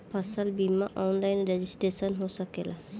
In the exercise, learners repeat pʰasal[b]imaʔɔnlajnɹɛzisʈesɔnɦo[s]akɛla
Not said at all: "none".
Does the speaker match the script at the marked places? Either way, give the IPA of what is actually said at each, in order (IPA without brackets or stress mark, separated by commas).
b, s